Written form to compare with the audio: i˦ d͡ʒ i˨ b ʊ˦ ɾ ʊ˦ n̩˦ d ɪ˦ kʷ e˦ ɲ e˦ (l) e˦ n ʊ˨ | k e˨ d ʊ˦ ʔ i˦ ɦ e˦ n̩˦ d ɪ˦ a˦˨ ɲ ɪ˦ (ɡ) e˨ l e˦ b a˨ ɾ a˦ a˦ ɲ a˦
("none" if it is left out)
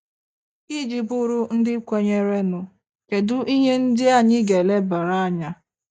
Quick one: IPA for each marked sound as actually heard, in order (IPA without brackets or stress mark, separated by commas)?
ɾ, ɡ